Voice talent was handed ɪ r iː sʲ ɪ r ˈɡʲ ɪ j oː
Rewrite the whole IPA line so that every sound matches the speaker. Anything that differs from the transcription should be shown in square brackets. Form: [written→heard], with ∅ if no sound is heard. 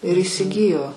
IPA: ɪ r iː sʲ ɪ [r→∅] ˈɡʲ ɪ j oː